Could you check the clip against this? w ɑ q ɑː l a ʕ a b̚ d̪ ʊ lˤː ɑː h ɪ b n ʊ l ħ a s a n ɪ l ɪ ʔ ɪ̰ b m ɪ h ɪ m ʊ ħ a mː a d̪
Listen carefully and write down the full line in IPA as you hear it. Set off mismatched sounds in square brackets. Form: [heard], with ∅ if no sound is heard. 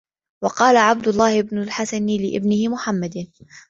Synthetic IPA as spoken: w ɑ q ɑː l a ʕ a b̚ d̪ ʊ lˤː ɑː h ɪ b n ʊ l ħ a s a n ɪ l ɪ ʔ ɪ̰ b [n] ɪ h ɪ m ʊ ħ a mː a d̪